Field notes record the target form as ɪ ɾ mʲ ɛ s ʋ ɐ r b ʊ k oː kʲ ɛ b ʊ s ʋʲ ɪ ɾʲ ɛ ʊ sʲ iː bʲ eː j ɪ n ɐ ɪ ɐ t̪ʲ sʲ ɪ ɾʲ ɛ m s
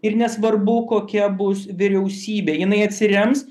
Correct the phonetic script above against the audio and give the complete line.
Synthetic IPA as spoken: ɪ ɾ nʲ ɛ s ʋ ɐ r b ʊ k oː kʲ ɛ b ʊ s ʋʲ ɪ ɾʲ ɛ ʊ sʲ iː bʲ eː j ɪ n ɐ ɪ ɐ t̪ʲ sʲ ɪ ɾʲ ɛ m s